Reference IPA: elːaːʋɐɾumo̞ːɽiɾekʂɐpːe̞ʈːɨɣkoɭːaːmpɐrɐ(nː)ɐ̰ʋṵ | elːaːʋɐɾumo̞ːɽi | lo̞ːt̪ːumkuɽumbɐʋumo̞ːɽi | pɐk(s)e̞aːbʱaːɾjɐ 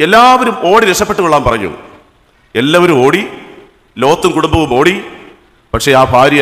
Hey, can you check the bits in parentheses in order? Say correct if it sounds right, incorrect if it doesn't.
incorrect: ɲː, incorrect: ʂ

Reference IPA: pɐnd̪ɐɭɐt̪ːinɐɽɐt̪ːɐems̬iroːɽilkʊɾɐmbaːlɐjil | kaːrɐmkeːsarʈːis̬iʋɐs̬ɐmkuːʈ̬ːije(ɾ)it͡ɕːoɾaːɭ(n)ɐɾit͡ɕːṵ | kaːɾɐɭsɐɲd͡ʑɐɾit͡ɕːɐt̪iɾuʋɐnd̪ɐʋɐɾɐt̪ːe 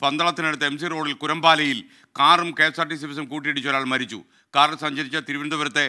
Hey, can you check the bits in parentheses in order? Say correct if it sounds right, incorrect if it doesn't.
incorrect: ɽ, incorrect: m

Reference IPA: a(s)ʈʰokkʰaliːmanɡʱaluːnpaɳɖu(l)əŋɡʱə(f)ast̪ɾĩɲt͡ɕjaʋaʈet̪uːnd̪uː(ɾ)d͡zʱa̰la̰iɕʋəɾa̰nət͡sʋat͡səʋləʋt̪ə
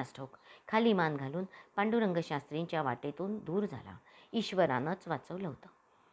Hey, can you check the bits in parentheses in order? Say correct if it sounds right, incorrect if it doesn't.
correct, incorrect: ɾ, incorrect: ɕ, correct

